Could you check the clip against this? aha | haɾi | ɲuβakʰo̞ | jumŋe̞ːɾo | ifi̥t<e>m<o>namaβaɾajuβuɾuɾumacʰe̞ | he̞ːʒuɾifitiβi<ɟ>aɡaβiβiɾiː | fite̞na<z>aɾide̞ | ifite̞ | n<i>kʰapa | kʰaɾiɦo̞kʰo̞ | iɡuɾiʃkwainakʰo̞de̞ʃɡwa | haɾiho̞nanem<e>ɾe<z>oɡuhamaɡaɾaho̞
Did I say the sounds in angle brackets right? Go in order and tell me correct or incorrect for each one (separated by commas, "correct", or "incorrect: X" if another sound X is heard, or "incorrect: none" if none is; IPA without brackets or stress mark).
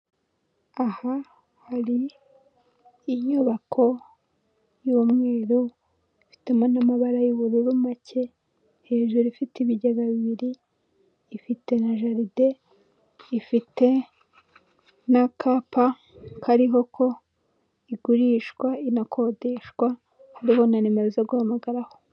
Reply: correct, correct, correct, incorrect: ʒ, incorrect: a, correct, correct